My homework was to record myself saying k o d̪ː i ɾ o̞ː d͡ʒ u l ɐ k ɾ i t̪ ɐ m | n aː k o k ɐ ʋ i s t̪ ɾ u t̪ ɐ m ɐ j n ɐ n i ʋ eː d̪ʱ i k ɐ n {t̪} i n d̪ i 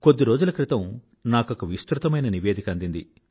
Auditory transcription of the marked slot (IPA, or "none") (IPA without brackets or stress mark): d̪